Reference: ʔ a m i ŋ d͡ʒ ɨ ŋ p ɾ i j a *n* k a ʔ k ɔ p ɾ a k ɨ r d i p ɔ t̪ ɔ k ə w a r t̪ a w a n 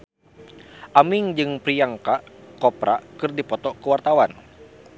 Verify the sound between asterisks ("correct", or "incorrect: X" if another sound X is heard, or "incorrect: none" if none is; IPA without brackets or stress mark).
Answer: incorrect: ŋ